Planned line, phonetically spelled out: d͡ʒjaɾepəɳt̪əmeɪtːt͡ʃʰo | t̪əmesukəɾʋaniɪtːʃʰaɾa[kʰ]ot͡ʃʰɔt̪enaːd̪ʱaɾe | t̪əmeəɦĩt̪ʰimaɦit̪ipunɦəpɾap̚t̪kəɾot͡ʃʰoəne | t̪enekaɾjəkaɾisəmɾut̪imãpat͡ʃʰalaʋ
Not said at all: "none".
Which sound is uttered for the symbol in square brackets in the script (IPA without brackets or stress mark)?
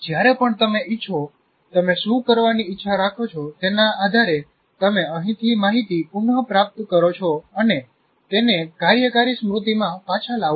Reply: kʰ